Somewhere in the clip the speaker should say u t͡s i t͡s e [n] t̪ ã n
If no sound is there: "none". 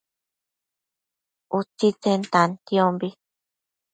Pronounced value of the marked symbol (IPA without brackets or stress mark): n